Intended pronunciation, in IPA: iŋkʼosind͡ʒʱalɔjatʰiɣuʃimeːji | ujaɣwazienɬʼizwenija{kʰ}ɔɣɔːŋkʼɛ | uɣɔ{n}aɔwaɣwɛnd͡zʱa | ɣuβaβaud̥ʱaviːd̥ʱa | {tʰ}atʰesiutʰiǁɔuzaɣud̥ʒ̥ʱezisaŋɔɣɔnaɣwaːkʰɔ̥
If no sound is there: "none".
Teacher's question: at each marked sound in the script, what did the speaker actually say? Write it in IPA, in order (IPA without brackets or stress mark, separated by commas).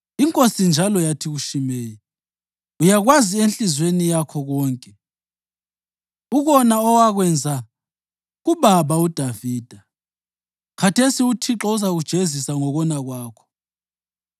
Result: kʰ, n, kʰ